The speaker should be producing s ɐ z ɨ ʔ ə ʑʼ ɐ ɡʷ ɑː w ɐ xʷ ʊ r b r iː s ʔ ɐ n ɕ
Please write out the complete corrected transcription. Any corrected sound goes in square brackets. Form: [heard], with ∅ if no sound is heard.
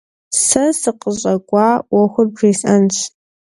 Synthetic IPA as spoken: s ɐ [s] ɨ [q] ə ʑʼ ɐ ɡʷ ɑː w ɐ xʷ ʊ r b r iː s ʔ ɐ n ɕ